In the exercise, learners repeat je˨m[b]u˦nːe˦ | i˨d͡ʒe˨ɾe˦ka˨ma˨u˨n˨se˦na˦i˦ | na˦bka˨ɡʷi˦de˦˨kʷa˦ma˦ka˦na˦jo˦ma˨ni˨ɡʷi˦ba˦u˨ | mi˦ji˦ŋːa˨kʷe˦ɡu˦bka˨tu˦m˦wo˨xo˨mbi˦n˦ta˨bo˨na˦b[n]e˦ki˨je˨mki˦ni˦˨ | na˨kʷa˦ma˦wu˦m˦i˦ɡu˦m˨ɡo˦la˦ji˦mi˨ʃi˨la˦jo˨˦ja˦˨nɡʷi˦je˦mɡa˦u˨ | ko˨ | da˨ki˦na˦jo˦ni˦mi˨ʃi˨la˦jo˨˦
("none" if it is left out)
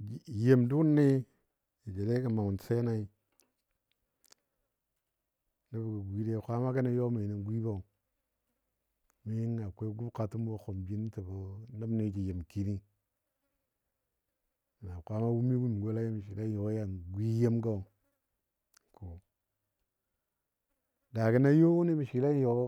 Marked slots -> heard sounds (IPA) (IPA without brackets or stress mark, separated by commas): d, n